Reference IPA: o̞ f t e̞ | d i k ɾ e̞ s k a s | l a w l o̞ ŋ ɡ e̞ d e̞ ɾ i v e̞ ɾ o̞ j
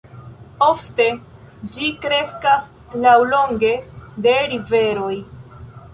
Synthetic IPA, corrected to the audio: o̞ f t e̞ | d͡ʒ i k ɾ e̞ s k a s | l a w l o̞ ŋ ɡ e̞ d e̞ ɾ i v e̞ ɾ o̞ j